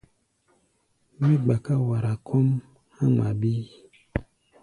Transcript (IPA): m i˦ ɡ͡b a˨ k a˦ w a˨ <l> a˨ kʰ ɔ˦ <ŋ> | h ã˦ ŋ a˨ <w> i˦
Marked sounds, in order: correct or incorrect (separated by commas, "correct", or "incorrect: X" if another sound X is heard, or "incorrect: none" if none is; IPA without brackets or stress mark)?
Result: incorrect: ɾ, incorrect: m, incorrect: b